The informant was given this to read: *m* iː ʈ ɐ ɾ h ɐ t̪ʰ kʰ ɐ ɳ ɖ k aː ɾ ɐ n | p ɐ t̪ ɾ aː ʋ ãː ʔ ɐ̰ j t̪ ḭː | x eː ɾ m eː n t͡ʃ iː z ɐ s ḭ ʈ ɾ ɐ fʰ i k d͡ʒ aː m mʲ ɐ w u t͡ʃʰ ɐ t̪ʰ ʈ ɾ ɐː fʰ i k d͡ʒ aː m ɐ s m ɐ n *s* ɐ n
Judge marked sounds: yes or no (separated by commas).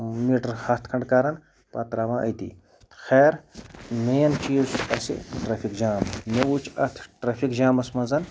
yes, no